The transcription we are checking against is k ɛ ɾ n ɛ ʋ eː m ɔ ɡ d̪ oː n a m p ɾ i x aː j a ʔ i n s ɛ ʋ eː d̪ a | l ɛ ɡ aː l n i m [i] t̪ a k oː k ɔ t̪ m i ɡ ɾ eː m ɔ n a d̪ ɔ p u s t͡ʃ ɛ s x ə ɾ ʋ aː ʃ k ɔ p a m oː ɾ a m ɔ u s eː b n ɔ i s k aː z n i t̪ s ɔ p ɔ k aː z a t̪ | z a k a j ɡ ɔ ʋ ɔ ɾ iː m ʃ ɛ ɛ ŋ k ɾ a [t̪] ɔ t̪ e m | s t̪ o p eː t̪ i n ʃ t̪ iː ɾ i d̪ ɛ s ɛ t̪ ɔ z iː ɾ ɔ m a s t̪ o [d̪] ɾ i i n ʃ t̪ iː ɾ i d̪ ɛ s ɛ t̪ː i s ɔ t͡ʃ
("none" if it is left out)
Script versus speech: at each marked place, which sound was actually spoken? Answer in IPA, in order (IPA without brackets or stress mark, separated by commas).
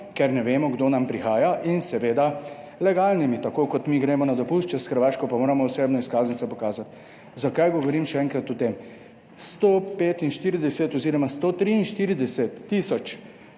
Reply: i, t̪, t̪